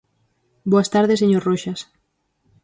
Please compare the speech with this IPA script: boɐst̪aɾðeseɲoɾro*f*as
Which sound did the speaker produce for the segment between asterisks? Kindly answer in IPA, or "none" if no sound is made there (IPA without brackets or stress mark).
ʃ